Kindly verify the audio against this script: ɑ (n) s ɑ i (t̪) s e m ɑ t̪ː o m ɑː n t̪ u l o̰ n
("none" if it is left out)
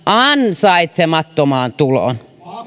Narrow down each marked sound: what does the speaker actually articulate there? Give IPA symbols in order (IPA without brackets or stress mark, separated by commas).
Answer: n, t̪